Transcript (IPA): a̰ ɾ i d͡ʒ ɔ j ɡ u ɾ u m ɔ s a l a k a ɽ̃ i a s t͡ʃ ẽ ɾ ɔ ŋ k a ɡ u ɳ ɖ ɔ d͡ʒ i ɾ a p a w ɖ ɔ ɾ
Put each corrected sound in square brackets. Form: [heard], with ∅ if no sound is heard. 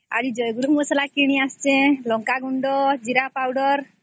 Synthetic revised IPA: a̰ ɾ i d͡ʒ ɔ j ɡ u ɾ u m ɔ s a l a k [i] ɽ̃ i a s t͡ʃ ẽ [l] ɔ ŋ k a ɡ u ɳ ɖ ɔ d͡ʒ i ɾ a p a w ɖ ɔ ɾ